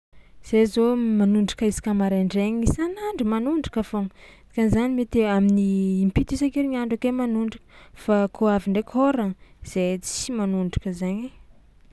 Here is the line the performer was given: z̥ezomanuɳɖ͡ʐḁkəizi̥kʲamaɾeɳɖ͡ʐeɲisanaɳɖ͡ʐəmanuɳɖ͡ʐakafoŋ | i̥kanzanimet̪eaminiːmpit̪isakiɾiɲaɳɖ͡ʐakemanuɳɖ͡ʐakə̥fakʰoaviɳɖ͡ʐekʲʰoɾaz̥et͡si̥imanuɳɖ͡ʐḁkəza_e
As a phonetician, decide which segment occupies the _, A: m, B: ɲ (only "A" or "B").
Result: B